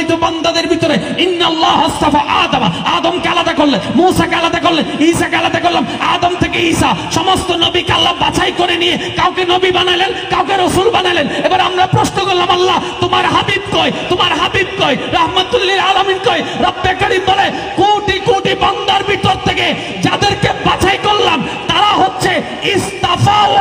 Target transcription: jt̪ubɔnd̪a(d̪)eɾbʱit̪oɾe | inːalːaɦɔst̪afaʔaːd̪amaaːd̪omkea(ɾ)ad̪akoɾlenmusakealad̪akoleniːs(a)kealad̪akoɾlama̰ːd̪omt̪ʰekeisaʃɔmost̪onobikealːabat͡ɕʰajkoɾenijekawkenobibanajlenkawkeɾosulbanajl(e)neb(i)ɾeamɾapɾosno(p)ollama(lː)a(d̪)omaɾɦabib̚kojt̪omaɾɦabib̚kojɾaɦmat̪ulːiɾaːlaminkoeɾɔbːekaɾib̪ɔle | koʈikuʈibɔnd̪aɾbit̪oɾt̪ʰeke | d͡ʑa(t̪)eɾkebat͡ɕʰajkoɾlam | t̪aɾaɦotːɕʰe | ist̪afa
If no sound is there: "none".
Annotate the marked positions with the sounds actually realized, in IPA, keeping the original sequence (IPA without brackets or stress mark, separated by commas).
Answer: d̪, l, a, e, a, k, lː, t̪, d̪